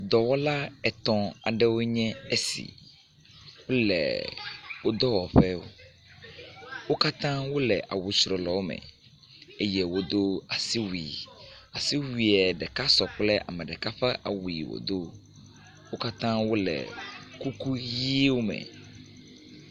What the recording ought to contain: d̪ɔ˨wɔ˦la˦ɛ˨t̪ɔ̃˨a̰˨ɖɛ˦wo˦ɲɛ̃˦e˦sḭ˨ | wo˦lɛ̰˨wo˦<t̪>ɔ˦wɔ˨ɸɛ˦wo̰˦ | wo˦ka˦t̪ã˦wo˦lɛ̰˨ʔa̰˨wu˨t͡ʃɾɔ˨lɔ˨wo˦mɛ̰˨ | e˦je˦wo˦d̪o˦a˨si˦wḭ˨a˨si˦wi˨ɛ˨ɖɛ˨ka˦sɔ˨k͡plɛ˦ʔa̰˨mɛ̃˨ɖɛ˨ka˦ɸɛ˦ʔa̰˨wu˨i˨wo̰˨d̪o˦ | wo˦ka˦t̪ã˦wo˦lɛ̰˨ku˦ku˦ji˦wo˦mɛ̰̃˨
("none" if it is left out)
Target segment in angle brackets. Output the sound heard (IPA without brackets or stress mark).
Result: d̪